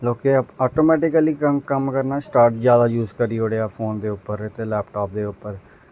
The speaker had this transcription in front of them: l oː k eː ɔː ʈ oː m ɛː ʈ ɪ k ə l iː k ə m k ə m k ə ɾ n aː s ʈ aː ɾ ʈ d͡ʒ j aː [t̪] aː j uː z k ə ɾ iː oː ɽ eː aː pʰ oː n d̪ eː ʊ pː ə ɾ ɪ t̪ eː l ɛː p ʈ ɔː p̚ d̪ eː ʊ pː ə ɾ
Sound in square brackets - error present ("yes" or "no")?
yes